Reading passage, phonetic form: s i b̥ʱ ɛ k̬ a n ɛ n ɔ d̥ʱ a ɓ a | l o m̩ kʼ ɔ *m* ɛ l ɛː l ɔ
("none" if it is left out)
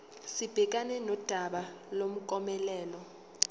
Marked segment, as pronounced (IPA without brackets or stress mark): m